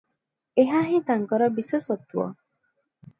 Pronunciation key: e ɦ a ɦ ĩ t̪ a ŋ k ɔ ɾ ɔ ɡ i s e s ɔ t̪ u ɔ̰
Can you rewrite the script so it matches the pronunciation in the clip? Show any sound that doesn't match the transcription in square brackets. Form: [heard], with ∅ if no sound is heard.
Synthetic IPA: e ɦ a ɦ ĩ t̪ a ŋ k ɔ ɾ ɔ [b] i s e s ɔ t̪ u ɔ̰